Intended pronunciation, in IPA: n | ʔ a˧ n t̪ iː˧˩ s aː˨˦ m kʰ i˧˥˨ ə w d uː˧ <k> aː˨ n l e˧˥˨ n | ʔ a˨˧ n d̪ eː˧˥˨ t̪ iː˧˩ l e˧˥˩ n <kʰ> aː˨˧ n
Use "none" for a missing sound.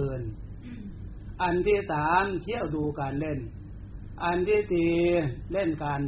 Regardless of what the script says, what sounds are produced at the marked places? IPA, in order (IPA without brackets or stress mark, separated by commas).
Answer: k, k